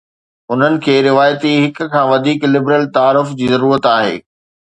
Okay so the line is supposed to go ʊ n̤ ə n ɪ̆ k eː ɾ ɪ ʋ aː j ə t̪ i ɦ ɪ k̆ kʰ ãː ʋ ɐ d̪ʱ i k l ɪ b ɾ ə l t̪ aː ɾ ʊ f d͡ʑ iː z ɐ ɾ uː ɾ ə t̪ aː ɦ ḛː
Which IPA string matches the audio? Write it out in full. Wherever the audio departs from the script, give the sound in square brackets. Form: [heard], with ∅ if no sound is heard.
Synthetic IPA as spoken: ʊ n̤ ə n ɪ̆ [kʰ] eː ɾ ɪ ʋ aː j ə t̪ i ɦ ɪ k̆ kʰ ãː ʋ ɐ d̪ʱ [iː] k l ɪ b ɾ ə l t̪ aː ɾ ʊ f d͡ʑ iː z ɐ ɾ uː ɾ ə t̪ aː ɦ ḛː

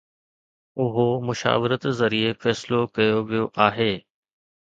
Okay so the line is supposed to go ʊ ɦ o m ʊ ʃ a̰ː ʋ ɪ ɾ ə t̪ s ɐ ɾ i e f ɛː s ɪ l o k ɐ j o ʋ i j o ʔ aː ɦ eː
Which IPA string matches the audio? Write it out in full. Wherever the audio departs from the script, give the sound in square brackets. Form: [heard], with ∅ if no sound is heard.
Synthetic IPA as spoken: ʊ ɦ o m ʊ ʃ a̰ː ʋ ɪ ɾ ə t̪ [z] ɐ ɾ i e f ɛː s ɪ l o k ɐ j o ʋ i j o ʔ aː ɦ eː

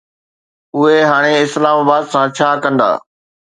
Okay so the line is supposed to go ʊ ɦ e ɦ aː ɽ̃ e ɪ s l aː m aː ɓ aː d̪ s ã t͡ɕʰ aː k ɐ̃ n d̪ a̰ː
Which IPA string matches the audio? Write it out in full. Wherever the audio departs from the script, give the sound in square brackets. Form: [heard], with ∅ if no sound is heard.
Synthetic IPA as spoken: ʊ ɦ e ɦ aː ɽ̃ e ɪ s l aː m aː [b] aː d̪ s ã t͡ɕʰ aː k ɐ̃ n d̪ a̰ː

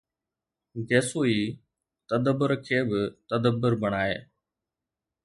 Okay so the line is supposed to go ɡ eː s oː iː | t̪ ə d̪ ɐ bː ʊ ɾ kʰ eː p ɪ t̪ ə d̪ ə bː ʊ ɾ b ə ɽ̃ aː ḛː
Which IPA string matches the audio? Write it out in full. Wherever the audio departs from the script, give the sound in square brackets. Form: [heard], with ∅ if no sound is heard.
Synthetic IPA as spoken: ɡ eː s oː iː | t̪ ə d̪ [ə] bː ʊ ɾ kʰ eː [b] ɪ t̪ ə d̪ ə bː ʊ ɾ b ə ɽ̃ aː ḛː

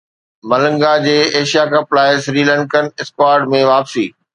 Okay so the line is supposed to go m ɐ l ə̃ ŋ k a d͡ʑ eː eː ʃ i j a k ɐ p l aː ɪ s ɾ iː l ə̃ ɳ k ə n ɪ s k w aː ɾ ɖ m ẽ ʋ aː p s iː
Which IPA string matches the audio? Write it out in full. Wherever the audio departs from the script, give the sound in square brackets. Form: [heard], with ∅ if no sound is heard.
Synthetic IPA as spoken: m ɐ l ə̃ ŋ [ɡ] a d͡ʑ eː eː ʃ i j a k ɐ p l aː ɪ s ɾ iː l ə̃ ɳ k ə n ɪ s k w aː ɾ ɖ m ẽ ʋ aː p s iː

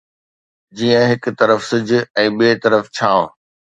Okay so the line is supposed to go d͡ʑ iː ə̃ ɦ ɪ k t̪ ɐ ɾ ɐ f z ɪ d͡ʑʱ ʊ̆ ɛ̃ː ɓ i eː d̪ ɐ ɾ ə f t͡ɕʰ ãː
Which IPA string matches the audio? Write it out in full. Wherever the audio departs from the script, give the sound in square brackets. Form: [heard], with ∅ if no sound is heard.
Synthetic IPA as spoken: d͡ʑ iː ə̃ ɦ ɪ k t̪ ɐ ɾ [ə] f [s] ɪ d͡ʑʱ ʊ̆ ɛ̃ː ɓ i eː [t̪] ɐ ɾ ə f t͡ɕʰ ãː

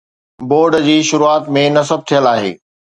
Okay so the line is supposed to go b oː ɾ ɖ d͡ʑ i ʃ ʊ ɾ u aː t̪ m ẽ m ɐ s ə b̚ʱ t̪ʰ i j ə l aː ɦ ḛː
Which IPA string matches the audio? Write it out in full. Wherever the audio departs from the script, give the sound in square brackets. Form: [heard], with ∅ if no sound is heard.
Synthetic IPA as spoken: b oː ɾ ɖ d͡ʑ [iː] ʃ ʊ ɾ u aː t̪ m ẽ [n] ɐ s ə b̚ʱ t̪ʰ i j ə l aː ɦ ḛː

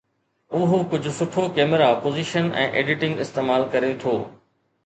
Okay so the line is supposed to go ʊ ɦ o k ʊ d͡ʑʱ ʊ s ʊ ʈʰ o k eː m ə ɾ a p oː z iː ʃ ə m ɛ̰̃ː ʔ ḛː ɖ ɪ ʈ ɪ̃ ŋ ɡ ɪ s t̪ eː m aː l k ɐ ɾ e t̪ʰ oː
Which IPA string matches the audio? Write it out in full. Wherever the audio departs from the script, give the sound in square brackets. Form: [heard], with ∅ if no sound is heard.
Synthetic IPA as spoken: ʊ ɦ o k ʊ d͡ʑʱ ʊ s ʊ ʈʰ o k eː m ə ɾ a p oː z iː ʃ ə [n] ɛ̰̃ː ʔ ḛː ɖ ɪ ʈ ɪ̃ ŋ ɡ ɪ s t̪ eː m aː l k ɐ ɾ e t̪ʰ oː

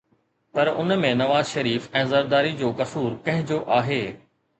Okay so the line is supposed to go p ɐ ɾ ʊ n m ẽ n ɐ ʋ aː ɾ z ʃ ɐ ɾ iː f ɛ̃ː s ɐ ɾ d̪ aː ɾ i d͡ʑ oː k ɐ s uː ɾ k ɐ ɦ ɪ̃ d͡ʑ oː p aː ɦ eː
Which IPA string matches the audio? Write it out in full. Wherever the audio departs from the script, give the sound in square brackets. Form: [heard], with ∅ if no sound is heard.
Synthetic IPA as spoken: p ɐ ɾ ʊ n m ẽ n ɐ ʋ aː [∅] z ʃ ɐ ɾ iː f ɛ̃ː [z] ɐ ɾ d̪ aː ɾ i d͡ʑ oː k ɐ s uː ɾ k [ɐ̃] ɦ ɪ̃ d͡ʑ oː [ʔ] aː ɦ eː

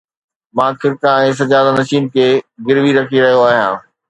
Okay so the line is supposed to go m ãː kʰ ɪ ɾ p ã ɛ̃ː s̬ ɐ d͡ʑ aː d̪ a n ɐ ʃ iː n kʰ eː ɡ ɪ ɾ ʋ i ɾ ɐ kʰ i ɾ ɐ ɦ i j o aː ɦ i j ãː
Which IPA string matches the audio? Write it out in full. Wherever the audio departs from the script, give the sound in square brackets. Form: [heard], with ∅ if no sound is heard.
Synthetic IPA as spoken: m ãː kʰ ɪ ɾ [k] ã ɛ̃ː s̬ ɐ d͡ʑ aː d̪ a n ɐ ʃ iː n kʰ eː ɡ ɪ ɾ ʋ i ɾ ɐ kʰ i ɾ ɐ ɦ i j o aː ɦ i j ãː

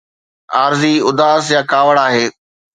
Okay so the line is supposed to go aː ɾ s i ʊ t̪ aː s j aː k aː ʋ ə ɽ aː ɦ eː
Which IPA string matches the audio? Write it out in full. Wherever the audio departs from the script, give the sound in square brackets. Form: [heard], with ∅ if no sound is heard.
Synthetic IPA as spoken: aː ɾ [z] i ʊ [d̪] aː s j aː k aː ʋ ə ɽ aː ɦ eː

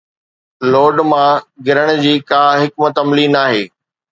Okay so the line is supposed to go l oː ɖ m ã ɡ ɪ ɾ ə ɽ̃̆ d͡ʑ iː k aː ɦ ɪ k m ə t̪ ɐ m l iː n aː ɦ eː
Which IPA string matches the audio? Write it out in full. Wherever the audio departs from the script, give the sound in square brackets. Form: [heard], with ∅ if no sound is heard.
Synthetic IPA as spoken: l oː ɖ m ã ɡ ɪ ɾ ə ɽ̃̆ d͡ʑ iː k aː ɦ ɪ k m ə t̪ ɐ m l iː n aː ɦ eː

